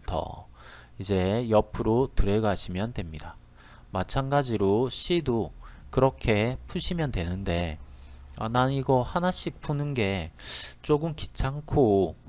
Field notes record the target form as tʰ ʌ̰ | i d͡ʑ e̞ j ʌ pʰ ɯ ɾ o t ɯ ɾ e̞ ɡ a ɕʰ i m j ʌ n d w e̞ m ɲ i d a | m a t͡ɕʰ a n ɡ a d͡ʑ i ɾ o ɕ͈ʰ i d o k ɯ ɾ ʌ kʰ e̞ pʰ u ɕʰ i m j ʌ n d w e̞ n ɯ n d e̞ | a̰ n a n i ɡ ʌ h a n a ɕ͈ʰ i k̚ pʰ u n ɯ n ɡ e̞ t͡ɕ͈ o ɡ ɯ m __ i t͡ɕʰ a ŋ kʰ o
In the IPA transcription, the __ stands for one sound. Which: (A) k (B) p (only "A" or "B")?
A